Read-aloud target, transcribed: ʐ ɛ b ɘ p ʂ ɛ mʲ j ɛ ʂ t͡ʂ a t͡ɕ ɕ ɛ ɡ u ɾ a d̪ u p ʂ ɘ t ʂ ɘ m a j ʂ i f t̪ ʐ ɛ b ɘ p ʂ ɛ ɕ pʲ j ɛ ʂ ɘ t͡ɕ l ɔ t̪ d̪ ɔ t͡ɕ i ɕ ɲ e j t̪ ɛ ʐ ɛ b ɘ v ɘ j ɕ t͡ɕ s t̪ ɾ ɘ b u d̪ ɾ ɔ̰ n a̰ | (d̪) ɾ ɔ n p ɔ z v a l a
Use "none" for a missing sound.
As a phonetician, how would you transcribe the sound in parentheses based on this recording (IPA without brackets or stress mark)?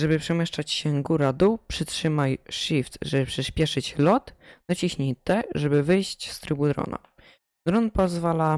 d̪